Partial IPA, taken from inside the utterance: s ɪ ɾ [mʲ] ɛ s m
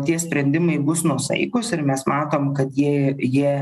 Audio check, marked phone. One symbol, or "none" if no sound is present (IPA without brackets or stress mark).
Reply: mʲ